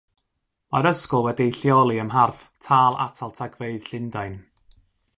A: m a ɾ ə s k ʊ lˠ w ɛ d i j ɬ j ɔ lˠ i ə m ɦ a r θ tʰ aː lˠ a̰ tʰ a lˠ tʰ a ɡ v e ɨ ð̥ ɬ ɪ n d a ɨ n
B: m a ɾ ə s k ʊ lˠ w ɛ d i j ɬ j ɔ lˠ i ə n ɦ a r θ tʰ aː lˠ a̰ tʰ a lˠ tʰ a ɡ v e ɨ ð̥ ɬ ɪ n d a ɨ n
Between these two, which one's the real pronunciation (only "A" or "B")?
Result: A